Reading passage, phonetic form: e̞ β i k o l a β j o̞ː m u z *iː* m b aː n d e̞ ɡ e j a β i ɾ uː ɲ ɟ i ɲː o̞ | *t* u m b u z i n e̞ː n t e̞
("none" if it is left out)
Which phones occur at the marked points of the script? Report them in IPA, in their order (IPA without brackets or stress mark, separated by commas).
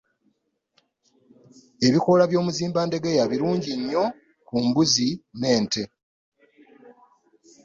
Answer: iː, k